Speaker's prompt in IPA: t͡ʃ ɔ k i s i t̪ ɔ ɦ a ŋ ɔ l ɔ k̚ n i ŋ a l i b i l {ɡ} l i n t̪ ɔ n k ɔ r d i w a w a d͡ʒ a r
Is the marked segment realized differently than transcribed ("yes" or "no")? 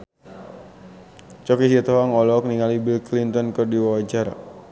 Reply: yes